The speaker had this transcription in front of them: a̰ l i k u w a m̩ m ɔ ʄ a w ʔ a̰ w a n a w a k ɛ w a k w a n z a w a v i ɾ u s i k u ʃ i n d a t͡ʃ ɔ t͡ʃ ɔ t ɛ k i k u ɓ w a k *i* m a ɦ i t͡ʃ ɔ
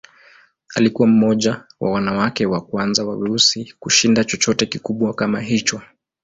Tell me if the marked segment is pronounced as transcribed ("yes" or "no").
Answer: no